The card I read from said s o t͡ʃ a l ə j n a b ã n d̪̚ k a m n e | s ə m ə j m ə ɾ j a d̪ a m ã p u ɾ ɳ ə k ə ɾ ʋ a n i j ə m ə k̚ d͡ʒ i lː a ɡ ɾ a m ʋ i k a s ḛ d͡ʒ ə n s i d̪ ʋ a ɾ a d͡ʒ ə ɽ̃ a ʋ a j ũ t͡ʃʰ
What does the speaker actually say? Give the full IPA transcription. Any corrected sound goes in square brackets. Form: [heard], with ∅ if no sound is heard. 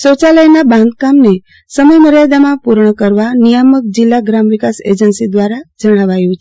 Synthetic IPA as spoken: s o t͡ʃ a l ə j n a b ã n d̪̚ k a m n e | s ə m ə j m ə ɾ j a d̪ a m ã p u ɾ ɳ ə k ə ɾ ʋ a n i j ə m ə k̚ d͡ʒ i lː a ɡ ɾ a m ʋ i k a s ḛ d͡ʒ ə n s i d̪ ʋ a ɾ a d͡ʒ ə ɽ̃ a ʋ a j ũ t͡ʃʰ

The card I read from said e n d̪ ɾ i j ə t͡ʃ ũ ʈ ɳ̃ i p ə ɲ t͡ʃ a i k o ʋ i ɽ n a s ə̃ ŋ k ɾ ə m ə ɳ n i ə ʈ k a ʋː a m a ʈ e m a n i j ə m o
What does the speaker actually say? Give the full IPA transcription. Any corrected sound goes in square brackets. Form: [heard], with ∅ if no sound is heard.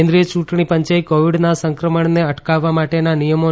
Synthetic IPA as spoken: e n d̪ ɾ i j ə t͡ʃ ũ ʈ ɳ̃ i p ə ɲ t͡ʃ a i k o ʋ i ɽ n a s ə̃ ŋ k ɾ ə m ə ɳ n [e] ə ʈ k a ʋː a m a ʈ e [n] a n i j ə m o

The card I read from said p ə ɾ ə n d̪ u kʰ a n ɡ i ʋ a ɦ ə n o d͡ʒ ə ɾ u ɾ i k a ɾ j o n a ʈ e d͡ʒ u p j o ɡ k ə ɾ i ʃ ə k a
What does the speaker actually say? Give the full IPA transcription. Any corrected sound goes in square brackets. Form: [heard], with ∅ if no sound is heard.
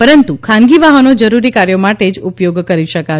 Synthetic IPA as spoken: p ə ɾ ə n [t̪] u kʰ a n ɡ i ʋ a ɦ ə n o d͡ʒ ə ɾ u ɾ i k a ɾ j o [m] a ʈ e d͡ʒ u p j o ɡ k ə ɾ i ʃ ə k a

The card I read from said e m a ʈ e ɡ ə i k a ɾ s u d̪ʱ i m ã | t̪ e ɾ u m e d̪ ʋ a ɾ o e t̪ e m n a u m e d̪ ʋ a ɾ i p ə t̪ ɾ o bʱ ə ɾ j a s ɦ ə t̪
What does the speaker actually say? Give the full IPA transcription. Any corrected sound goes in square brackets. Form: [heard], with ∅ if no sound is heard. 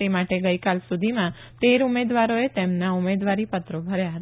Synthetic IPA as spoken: e m a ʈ e ɡ ə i k a [l] s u d̪ʱ i m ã | t̪ e ɾ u m e d̪ ʋ a ɾ o e t̪ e m n a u m e d̪ ʋ a ɾ i p ə t̪ ɾ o bʱ ə ɾ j a [∅] ɦ ə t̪

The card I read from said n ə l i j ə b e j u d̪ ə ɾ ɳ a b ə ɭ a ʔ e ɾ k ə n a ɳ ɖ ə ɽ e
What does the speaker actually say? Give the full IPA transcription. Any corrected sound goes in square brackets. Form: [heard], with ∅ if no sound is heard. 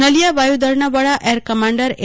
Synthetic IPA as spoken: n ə l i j [a] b [a] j u d̪ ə ɾ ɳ a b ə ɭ a ʔ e ɾ k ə [m] a ɳ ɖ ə [ɾ] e

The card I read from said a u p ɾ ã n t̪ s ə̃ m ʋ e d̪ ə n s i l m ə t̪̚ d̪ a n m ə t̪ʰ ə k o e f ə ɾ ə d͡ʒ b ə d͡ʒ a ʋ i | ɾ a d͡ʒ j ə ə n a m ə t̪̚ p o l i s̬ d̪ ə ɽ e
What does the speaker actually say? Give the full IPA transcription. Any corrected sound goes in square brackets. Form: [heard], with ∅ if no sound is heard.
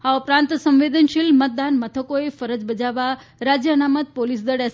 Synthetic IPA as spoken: a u p ɾ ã n t̪ s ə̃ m ʋ e d̪ ə n [ʃ] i l m ə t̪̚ d̪ a n m ə t̪ʰ ə k o e f ə ɾ ə d͡ʒ b ə d͡ʒ a ʋ [a] | ɾ a d͡ʒ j ə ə n a m ə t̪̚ p o l i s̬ d̪ ə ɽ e

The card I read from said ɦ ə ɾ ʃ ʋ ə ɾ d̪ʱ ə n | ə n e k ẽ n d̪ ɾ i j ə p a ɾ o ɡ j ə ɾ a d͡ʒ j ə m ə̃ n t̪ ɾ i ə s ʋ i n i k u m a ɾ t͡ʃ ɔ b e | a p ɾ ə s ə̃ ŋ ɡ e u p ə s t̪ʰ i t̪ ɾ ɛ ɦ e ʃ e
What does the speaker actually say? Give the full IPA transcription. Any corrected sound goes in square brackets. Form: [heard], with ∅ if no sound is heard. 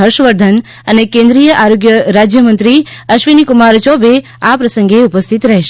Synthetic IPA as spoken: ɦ ə ɾ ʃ ʋ ə ɾ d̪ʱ ə n | ə n e k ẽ n d̪ ɾ i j ə [ʔ] a ɾ o ɡ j ə ɾ a d͡ʒ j ə m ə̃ n t̪ ɾ i ə [ʃ] ʋ i n i k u m a ɾ t͡ʃ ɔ b e | a p ɾ ə s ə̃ ŋ ɡ e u p ə s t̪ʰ i t̪ ɾ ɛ ɦ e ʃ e

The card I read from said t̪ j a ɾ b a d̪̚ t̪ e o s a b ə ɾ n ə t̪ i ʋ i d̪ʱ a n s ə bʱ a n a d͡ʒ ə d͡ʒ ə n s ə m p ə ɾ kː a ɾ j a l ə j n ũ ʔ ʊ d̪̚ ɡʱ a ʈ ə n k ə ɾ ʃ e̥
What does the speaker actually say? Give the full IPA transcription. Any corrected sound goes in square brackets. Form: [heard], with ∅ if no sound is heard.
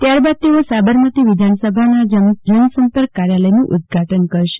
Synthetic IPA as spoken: t̪ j a ɾ b a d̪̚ t̪ e o s a b ə ɾ [m] ə t̪ i ʋ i d̪ʱ a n s ə bʱ a n a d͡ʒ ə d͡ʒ ə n s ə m p ə ɾ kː a ɾ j a l ə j n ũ ʔ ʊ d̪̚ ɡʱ a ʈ ə n k ə ɾ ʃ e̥

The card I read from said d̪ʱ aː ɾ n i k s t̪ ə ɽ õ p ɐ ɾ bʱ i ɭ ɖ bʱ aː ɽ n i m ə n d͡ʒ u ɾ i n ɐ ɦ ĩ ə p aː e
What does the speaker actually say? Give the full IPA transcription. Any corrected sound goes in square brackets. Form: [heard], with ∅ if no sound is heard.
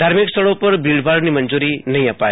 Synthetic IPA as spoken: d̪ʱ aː ɾ [m] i k s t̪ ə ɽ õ p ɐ ɾ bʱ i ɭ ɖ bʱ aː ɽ n i m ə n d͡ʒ u ɾ i n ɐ ɦ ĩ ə p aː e

